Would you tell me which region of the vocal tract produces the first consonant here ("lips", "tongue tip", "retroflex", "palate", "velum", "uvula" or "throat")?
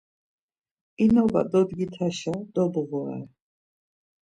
tongue tip